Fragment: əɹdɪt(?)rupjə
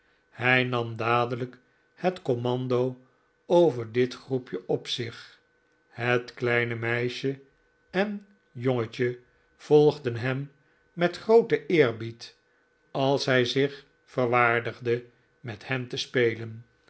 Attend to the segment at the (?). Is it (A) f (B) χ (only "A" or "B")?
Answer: B